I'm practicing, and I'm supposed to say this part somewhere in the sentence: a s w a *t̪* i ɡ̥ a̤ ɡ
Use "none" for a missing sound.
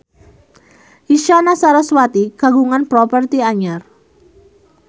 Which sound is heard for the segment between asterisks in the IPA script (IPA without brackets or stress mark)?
t̪